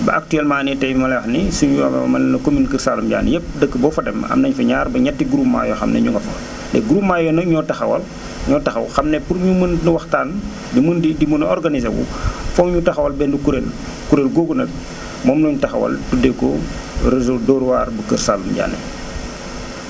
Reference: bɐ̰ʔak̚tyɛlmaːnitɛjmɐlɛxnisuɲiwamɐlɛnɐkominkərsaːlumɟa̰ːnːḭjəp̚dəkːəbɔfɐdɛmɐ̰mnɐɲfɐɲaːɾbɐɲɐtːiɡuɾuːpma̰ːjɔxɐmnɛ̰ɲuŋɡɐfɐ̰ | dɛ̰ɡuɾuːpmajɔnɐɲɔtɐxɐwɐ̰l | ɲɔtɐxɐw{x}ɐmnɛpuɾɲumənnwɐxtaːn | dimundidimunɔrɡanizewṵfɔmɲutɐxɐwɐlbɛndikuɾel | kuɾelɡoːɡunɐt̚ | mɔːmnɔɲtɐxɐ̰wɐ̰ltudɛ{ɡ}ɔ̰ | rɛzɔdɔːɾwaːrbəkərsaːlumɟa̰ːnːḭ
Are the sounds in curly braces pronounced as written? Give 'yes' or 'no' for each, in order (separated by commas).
yes, no